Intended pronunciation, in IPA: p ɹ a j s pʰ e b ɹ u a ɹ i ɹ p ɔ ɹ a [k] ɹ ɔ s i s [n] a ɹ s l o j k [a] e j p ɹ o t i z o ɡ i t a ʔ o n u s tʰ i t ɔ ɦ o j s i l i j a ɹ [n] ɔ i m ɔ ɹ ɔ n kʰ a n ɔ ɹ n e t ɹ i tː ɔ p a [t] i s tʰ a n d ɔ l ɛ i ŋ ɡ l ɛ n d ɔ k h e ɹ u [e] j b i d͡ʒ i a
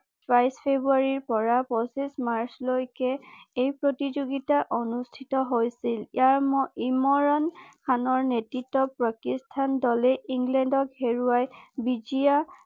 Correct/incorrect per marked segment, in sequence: incorrect, incorrect, incorrect, incorrect, incorrect, incorrect

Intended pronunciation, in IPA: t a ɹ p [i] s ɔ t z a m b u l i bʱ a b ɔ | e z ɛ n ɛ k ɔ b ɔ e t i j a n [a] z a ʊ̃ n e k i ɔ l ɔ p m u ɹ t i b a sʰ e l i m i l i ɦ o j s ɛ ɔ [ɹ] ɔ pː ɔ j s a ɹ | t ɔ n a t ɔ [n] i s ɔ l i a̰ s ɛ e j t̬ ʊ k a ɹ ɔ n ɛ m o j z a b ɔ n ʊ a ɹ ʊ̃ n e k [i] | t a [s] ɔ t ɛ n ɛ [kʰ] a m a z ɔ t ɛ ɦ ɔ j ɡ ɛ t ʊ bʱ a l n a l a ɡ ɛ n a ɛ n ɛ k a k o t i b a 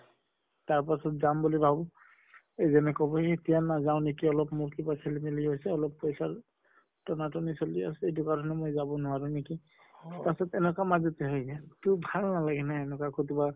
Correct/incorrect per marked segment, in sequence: incorrect, correct, incorrect, correct, correct, correct, incorrect

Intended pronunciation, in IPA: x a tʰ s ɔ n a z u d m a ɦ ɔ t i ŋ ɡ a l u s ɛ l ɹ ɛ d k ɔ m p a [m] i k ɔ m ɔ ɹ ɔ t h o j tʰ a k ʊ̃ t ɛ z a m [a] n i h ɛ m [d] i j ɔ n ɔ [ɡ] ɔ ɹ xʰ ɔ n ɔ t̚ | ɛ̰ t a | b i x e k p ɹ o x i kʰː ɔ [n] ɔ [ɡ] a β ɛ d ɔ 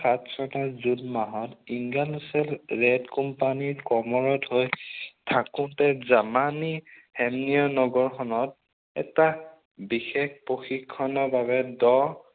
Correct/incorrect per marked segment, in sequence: incorrect, correct, incorrect, correct, correct, incorrect

